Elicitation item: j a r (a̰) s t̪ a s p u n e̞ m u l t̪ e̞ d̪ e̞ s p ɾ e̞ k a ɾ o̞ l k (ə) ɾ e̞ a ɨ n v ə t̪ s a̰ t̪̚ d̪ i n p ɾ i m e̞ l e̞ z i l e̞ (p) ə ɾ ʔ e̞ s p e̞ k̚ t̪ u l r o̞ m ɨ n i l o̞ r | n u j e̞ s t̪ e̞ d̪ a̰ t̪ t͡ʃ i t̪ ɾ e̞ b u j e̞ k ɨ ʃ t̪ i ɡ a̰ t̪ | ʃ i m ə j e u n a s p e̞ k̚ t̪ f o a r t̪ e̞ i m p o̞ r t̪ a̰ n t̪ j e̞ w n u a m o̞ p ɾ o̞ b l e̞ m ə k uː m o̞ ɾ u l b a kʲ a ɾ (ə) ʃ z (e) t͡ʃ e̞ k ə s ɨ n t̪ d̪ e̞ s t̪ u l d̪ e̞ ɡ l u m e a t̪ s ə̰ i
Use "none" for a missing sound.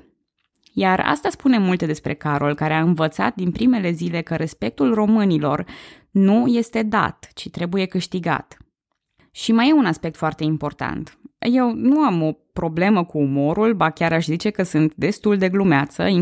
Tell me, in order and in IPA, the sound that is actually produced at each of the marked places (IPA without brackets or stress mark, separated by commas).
a̰, a, k, a, i